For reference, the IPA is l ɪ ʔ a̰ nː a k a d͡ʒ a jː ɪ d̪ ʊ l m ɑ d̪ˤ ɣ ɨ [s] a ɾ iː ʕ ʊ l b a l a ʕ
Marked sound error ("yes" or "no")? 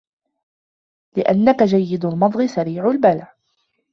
no